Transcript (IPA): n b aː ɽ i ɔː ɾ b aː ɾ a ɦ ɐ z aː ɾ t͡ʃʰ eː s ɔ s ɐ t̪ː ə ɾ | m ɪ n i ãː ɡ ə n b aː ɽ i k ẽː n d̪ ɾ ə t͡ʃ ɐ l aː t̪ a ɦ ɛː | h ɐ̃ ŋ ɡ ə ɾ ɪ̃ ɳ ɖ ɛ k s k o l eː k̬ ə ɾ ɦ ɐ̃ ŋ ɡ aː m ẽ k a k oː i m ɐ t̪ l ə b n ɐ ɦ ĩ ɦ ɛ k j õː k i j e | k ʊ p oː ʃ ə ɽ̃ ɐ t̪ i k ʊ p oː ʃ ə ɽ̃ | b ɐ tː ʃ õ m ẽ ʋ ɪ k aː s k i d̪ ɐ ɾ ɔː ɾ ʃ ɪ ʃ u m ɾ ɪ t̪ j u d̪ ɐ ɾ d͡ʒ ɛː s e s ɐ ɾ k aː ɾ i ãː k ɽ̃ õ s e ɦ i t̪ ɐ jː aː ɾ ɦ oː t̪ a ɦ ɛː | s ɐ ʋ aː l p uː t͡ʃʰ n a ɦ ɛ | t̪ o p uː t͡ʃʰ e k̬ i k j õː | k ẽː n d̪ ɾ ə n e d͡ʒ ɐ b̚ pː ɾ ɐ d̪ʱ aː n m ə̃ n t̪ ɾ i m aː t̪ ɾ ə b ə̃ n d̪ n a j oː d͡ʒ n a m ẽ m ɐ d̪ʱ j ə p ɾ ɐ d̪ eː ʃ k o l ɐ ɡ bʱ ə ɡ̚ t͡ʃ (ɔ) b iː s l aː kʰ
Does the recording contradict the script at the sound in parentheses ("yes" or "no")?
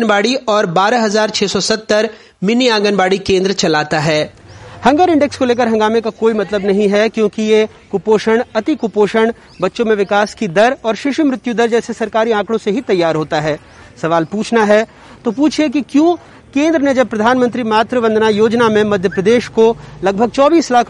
yes